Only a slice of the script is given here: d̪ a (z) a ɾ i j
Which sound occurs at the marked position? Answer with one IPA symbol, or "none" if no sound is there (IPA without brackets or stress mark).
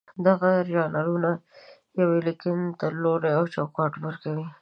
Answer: ɣ